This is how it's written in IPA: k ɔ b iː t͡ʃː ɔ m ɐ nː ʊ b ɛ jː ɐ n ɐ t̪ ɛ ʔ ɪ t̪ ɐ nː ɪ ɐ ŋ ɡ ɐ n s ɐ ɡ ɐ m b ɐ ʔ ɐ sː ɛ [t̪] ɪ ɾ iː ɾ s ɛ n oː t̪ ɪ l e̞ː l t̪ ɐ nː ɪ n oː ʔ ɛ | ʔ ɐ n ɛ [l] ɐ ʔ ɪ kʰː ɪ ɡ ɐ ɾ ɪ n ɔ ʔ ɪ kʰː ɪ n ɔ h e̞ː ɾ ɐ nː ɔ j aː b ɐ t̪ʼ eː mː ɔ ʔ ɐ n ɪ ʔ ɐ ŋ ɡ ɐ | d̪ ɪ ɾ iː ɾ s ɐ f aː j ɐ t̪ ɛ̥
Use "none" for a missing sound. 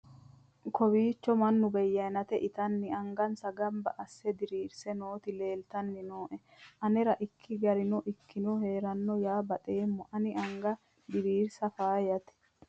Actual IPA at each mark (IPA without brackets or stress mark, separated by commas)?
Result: d̪, ɾ